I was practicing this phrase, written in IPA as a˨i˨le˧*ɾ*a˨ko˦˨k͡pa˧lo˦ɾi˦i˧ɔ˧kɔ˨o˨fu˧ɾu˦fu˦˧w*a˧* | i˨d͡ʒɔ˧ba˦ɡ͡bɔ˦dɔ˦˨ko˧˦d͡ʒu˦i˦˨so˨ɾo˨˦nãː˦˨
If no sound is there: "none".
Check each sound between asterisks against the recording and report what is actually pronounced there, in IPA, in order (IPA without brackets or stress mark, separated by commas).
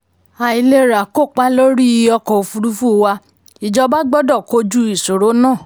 ɾ, a˧